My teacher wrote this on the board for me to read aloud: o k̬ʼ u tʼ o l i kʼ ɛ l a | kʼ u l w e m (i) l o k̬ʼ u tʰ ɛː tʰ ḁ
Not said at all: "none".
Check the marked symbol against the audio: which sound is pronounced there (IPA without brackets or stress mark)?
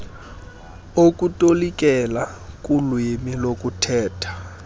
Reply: i